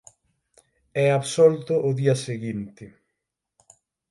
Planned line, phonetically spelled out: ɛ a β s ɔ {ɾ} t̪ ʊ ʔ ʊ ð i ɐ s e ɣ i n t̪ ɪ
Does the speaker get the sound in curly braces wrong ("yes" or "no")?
yes